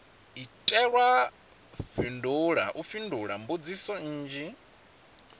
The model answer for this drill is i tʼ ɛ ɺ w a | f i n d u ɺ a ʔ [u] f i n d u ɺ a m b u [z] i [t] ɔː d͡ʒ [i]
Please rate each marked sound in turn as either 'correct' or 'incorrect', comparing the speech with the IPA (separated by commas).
correct, incorrect, incorrect, correct